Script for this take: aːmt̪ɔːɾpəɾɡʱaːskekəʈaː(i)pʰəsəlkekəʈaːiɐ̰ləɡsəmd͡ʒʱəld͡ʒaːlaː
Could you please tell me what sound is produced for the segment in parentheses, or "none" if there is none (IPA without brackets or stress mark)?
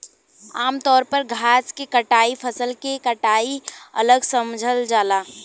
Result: i